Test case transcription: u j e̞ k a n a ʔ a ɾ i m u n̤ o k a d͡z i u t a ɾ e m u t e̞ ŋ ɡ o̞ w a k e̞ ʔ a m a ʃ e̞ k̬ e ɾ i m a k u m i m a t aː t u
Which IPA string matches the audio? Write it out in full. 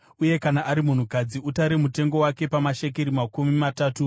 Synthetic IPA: u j e̞ k a n a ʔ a ɾ i m u n̤ u k a d͡z i u t a ɾ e m u t e̞ ŋ ɡ o̞ w a k e̞ p a m a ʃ e̞ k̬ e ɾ i m a k u m i m a t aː t u